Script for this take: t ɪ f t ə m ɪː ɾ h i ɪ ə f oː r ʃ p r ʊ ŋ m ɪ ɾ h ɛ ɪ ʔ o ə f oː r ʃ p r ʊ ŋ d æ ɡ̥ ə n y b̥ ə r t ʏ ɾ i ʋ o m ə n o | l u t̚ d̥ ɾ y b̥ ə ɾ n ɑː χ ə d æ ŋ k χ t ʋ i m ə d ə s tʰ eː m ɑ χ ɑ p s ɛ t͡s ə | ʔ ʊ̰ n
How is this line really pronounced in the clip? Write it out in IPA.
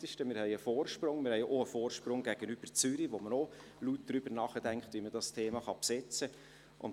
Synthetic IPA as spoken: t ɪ ʃ t ə m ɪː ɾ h ɛ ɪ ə f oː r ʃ p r ʊ ŋ m ɪ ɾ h ɛ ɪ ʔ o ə f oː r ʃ p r ʊ ŋ ɡ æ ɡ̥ ə n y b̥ ə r t͡s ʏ ɾ i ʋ o m ə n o | l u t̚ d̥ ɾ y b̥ ə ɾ n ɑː χ ə d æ ŋ k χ t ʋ i m ə d ɑ s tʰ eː m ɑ χ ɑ p s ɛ t͡s ə | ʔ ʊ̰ n